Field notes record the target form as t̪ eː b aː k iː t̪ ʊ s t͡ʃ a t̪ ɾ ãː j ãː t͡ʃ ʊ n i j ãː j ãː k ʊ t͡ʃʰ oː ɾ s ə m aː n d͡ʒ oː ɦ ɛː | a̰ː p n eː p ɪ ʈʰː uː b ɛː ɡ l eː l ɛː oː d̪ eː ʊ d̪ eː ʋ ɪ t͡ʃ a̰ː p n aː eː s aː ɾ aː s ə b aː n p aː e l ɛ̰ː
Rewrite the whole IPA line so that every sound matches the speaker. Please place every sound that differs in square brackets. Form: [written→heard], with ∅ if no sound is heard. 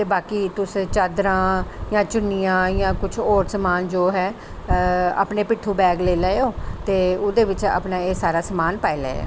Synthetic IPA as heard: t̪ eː b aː k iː t̪ ʊ s t͡ʃ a [t̪→d̪] ɾ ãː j ãː t͡ʃ ʊ n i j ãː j ãː k ʊ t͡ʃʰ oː ɾ s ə m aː n d͡ʒ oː ɦ ɛː | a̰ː p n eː p ɪ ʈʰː uː b ɛː ɡ l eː l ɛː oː [d̪→t̪] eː ʊ d̪ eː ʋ ɪ t͡ʃ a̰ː p n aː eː s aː ɾ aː s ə [b→m] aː n p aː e l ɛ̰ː